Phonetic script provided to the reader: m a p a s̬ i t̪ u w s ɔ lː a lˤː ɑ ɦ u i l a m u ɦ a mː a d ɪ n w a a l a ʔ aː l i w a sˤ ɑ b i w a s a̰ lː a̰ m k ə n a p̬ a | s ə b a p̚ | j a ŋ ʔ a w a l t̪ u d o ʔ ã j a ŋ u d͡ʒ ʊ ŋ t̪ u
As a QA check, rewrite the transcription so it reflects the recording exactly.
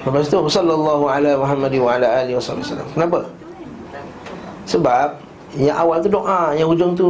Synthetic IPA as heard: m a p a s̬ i t̪ u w s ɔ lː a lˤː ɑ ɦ u a l a m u ɦ a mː a d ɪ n w a a l a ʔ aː l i w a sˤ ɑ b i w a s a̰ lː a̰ m k ə n a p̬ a | s ə b a p̚ | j a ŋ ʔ a w a l t̪ u d o ʔ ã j a ŋ u d͡ʒ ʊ ŋ t̪ u